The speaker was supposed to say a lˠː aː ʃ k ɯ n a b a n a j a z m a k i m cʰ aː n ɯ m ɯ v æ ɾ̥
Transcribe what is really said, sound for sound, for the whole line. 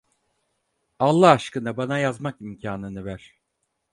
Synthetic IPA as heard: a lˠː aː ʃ k ɯ n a b a n a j a z m a k i m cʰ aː n ɯ n ɯ v æ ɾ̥